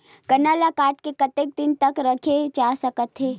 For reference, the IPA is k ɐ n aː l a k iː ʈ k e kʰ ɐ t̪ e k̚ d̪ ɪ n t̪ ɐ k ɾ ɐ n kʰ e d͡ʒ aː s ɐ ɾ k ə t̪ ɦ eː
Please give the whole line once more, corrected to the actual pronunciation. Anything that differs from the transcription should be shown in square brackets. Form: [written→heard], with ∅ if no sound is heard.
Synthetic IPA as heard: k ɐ n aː l a k [iː→aː] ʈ k e [kʰ→k] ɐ t̪ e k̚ d̪ ɪ n t̪ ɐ k ɾ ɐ [n→∅] kʰ e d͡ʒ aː s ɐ [ɾ→∅] k ə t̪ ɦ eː